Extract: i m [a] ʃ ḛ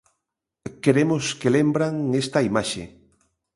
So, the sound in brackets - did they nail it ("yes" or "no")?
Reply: yes